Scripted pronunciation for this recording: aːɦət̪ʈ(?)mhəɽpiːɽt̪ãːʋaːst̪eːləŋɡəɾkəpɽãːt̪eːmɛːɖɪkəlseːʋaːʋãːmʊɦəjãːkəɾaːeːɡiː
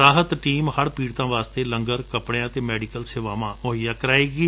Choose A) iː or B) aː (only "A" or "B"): A